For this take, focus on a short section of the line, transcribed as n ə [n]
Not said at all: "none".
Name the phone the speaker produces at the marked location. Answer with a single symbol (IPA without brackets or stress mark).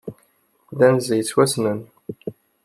n